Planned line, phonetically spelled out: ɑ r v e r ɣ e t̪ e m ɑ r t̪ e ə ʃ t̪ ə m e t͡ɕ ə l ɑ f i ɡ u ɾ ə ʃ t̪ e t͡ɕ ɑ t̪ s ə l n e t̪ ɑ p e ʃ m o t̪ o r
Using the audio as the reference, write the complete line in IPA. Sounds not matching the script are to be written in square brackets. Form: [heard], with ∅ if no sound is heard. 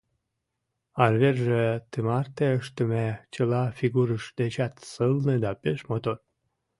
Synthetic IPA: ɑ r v e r [ʒ] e t̪ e m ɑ r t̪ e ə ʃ t̪ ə m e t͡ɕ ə l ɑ f i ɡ u ɾ ə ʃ [d̪] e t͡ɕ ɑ t̪ s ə l n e [d̪] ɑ p e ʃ m o t̪ o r